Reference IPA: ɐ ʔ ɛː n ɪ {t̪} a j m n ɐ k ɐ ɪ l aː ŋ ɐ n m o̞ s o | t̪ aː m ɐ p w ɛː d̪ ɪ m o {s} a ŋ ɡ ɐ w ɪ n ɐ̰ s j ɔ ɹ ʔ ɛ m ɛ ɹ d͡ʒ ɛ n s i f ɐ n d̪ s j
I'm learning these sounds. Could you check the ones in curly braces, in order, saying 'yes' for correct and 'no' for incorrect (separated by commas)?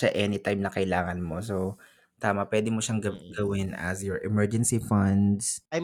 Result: yes, no